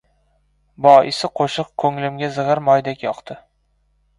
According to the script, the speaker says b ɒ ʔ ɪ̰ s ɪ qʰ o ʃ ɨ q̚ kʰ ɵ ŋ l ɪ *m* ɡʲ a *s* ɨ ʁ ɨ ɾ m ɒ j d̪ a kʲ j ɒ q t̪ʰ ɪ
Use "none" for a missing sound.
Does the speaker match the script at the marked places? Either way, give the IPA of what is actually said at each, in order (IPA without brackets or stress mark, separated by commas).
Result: m, z